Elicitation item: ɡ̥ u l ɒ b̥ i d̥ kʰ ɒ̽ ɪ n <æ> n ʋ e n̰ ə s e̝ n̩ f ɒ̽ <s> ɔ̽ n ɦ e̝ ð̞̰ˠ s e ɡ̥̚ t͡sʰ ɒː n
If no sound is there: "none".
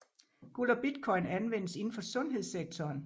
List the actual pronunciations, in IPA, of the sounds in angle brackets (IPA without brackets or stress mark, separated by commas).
æ, s